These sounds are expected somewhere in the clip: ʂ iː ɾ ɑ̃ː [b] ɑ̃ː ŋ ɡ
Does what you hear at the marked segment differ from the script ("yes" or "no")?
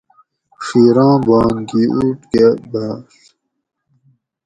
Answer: no